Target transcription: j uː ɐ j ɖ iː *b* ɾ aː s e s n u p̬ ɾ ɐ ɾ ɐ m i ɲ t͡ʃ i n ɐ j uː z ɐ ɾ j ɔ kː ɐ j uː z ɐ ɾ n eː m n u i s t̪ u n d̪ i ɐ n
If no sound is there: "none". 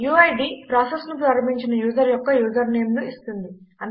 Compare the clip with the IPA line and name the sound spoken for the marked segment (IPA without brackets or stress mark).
p